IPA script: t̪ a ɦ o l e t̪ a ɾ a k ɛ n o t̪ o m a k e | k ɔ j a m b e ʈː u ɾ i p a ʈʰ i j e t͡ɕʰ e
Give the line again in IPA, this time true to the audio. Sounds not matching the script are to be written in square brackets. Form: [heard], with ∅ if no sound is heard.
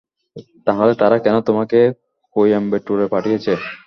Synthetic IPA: t̪ a ɦ o l e t̪ a ɾ a k ɛ n o t̪ o m a k e | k [o] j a m b e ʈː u ɾ [e] p a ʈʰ i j e t͡ɕʰ e